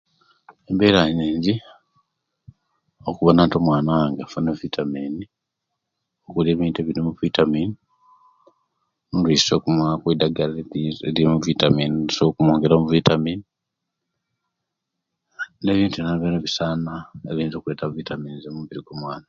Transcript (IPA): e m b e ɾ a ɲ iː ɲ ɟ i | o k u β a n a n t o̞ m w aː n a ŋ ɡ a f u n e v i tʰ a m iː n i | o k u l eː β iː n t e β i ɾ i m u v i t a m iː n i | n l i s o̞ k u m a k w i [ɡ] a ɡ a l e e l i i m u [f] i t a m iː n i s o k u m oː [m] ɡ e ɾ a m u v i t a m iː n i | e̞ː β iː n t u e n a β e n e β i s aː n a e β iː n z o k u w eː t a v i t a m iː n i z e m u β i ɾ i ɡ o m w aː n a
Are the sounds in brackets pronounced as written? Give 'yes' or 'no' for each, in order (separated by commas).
no, no, no